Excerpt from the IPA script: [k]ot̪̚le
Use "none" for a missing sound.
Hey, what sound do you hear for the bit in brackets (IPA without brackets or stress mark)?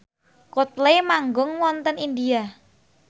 k